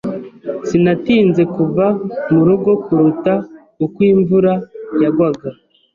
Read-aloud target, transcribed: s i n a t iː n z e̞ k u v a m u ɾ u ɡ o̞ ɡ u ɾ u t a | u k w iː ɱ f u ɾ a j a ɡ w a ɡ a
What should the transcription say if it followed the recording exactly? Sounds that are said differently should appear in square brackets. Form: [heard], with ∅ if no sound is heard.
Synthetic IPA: s i n a t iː n z e̞ k u v a m u ɾ u ɡ o̞ [k] u ɾ u t a | u k w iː ɱ [v] u ɾ a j a ɡ w a ɡ a